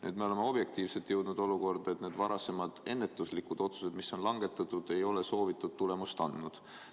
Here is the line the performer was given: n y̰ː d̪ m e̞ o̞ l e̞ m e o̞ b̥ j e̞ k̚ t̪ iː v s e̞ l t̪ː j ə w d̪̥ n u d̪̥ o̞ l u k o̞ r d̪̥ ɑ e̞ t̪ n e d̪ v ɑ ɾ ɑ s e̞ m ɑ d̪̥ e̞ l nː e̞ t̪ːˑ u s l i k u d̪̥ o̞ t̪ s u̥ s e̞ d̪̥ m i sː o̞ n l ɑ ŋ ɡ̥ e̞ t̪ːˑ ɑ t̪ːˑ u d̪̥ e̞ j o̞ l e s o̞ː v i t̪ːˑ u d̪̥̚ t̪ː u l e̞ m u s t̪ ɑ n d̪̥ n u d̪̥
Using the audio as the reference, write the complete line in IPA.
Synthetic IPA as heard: n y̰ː d̪ m e̞ o̞ l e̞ m e o̞ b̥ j e̞ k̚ t̪ iː v s e̞ l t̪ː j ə w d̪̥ n u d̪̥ o̞ l u k o̞ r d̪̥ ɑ e̞ t̪ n e d̪ v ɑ ɾ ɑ s e̞ m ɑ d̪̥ e̞ nː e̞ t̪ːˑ u s l i k u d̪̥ o̞ t̪ s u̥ s e̞ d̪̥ m i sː o̞ n l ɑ ŋ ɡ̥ e̞ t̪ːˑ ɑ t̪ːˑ u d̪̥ e̞ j o̞ l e s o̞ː v i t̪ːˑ u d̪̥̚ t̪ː u l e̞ m u s t̪ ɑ n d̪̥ n u d̪̥

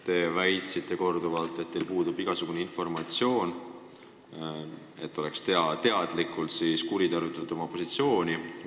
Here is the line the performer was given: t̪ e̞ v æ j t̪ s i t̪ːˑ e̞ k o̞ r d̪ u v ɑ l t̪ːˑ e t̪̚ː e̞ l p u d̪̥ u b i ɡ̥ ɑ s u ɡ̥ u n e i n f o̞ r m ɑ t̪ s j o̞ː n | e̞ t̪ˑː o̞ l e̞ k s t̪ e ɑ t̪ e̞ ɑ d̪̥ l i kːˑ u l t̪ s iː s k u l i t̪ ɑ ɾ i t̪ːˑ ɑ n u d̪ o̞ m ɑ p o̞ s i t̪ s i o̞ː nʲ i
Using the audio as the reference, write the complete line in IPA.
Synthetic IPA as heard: t̪ e̞ v æ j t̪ s i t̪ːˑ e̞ k o̞ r d̪ u v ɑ l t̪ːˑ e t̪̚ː e̞ l p uː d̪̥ u b i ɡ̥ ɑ s u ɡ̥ u n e i n f o̞ r m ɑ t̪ s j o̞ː n | e̞ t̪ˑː o̞ l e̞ k s t̪ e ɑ t̪ e̞ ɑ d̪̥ l i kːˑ u l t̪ s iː s k u ɾ i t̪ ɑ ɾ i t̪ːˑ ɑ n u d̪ o̞ m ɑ p o̞ s i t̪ s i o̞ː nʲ i

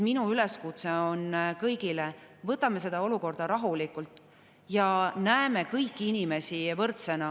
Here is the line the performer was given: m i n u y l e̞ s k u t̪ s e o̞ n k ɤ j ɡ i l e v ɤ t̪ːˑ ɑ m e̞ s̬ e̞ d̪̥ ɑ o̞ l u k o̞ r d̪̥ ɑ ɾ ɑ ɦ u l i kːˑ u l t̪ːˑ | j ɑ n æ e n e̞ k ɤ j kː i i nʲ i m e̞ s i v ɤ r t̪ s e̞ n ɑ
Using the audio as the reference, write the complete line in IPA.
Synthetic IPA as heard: m i n u y l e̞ s k u t̪ s e o̞ n k ɤ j ɡ i l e v ɤ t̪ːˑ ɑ m e̞ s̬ e̞ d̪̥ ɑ o̞ l u k o̞ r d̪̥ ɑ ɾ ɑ ɦ u l i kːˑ u l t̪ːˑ | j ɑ n æ e m e̞ k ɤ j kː i i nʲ i m e̞ s i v ɤ r t̪ s e̞ n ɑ

